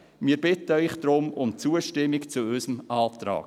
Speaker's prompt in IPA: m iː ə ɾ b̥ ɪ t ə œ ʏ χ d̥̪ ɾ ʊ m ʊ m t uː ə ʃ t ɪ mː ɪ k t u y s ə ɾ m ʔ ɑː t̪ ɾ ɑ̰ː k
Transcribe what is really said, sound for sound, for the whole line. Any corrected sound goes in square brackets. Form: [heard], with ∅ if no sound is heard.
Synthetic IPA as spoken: m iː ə ɾ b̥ ɪ t ə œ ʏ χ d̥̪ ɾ ʊ m ʊ m [t͡s] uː ə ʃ t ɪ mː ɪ k [t͡s] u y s ə [∅] m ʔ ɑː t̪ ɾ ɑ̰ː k